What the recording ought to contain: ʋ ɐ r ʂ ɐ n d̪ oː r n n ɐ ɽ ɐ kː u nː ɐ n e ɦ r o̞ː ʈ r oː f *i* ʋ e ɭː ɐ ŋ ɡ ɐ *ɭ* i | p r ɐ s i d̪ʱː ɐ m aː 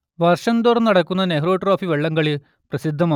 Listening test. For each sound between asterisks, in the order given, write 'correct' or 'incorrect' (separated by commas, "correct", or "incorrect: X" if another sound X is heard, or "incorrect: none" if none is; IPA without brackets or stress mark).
correct, correct